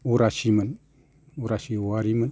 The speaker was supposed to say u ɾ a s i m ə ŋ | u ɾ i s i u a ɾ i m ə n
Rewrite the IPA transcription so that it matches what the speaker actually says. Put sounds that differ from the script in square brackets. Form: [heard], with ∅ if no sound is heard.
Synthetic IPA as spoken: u ɾ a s i m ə [n] | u ɾ [a] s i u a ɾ i m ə n